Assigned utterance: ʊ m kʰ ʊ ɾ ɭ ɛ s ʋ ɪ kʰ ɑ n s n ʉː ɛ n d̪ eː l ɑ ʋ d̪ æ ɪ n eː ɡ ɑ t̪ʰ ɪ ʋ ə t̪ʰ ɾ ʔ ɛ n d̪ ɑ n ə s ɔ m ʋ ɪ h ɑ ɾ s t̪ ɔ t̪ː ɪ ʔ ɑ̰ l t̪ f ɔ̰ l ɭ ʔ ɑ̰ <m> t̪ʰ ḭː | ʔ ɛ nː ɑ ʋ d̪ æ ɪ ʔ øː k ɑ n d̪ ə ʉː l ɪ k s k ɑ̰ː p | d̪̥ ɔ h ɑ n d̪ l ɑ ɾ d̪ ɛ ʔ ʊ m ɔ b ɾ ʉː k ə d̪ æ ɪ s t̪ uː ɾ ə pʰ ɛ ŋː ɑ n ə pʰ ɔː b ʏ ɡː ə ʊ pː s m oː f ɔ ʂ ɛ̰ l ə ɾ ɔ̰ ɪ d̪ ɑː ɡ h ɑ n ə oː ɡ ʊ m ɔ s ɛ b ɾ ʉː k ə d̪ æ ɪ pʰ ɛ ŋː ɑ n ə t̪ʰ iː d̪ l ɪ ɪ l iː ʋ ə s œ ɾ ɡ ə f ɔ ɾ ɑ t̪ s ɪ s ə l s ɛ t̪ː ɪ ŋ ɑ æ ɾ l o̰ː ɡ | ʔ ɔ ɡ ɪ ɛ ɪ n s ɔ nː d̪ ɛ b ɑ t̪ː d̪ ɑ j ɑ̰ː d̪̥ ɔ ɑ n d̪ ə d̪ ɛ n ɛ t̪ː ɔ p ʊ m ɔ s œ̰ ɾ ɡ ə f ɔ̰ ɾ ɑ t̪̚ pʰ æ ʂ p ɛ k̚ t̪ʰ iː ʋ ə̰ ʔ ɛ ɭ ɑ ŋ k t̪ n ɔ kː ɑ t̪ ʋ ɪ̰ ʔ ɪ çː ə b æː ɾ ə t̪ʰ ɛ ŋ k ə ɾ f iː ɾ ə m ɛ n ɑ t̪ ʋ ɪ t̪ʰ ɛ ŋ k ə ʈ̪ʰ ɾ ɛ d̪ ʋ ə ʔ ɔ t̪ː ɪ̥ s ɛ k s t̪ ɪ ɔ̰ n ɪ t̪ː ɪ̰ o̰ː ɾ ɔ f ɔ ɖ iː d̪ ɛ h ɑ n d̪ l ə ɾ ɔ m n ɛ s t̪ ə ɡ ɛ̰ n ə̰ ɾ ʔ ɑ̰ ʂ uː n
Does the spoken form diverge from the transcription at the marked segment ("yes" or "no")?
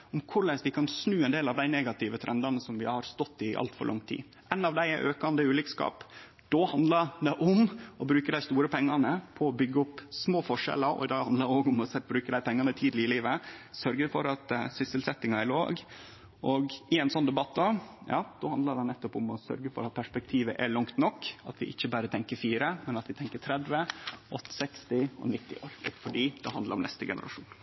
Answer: yes